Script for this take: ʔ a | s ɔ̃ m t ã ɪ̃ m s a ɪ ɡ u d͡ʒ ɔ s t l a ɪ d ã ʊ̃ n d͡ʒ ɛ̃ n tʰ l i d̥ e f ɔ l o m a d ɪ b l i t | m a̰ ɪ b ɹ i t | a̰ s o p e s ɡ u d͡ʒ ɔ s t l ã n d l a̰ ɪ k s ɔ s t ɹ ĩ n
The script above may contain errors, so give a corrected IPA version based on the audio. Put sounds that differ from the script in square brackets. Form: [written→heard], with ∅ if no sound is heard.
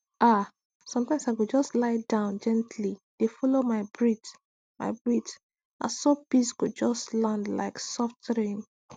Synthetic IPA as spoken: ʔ a | s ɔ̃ m t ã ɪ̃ m s a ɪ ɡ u d͡ʒ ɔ s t l a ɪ d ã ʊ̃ n d͡ʒ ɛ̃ n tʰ l i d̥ e f ɔ l o m a [d→∅] ɪ b [l→ɹ] i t | m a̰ ɪ b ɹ i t | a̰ s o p [e→i] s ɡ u d͡ʒ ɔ s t l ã n d l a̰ ɪ k s ɔ [s→f] t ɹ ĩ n